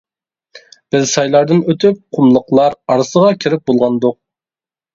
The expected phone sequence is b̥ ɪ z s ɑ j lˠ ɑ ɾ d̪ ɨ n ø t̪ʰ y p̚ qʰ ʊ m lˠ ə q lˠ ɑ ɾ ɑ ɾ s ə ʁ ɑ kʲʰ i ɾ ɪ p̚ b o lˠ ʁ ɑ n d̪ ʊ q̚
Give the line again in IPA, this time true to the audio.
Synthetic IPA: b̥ ɪ z s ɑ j lˠ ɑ ɾ d̪ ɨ n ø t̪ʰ y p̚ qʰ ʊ m lˠ ə q lˠ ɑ ɾ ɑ ɾ s ə ʁ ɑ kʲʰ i ɾ ɪ p̚ b o lˠ ʁ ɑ n d̪ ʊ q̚